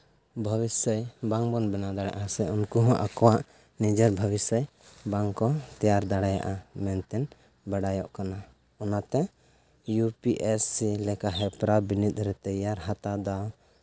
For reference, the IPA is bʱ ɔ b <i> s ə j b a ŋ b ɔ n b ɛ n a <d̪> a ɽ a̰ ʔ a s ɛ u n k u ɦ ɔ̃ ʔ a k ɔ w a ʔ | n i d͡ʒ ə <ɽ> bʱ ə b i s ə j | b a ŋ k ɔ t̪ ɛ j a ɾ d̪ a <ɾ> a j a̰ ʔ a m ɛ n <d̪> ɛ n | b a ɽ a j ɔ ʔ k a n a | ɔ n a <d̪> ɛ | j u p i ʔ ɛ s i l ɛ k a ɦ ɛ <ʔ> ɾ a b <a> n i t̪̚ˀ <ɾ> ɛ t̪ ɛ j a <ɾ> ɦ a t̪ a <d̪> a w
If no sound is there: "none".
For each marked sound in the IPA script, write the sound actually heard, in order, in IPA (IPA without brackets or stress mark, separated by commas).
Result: i, d̪, ɾ, ɽ, t̪, t̪, p, i, ɾ, ɾ, d̪